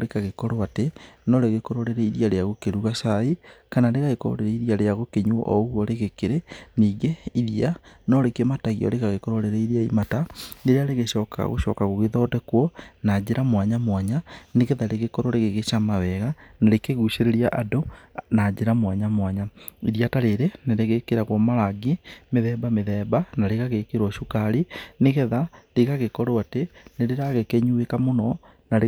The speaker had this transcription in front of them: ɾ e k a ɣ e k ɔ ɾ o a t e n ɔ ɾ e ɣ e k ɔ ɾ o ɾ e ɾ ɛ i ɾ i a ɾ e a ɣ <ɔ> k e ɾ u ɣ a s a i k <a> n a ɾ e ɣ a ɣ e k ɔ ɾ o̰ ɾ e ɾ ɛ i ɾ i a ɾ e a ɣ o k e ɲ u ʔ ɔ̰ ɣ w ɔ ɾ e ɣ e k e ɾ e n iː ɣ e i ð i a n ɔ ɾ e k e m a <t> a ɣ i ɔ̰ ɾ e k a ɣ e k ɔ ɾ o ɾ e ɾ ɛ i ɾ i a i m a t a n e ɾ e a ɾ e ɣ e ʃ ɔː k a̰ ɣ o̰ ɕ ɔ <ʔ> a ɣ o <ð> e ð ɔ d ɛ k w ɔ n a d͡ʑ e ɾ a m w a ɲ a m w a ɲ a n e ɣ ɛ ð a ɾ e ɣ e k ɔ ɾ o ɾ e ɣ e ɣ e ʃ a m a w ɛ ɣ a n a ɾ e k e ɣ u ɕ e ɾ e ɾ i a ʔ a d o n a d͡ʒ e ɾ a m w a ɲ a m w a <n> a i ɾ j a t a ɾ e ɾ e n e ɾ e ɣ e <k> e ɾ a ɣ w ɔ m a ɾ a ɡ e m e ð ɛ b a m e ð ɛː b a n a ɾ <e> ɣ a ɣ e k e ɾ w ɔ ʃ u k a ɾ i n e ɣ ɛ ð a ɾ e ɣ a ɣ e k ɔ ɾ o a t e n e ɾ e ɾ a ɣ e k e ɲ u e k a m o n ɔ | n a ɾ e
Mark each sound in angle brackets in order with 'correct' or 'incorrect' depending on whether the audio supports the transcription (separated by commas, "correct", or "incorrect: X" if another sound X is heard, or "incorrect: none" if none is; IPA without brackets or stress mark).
incorrect: o, correct, correct, incorrect: k, incorrect: ɣ, incorrect: ɲ, correct, correct